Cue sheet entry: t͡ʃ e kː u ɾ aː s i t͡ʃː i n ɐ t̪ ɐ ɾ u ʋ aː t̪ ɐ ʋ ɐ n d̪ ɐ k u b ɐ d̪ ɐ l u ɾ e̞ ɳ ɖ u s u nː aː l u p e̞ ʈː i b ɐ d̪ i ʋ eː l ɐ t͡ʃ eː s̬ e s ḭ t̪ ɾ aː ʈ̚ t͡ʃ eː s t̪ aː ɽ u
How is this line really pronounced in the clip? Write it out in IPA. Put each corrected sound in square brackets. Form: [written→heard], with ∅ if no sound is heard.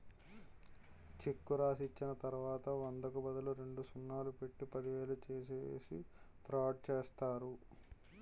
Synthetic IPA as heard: t͡ʃ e kː u ɾ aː s i t͡ʃː i n ɐ t̪ ɐ ɾ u ʋ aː t̪ ɐ ʋ ɐ n d̪ ɐ k u b ɐ d̪ ɐ l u ɾ e̞ ɳ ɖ u s u nː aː l u p e̞ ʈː i [b→p] ɐ d̪ i ʋ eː l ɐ t͡ʃ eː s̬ e s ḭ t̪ ɾ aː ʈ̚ t͡ʃ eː s t̪ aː [ɽ→ɾ] u